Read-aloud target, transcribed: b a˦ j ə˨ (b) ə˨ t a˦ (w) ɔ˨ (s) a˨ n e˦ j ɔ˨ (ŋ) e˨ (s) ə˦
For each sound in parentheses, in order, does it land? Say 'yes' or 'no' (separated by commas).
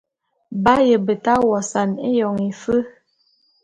yes, yes, yes, yes, no